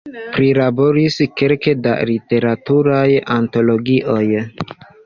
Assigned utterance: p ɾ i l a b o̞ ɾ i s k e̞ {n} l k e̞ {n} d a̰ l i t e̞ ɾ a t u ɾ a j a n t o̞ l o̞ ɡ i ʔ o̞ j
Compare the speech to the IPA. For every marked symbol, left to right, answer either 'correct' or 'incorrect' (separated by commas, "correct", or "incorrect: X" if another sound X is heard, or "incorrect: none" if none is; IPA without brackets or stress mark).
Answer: incorrect: none, incorrect: none